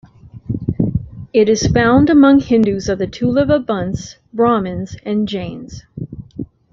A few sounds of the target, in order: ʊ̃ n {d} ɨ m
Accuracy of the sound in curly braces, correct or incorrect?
correct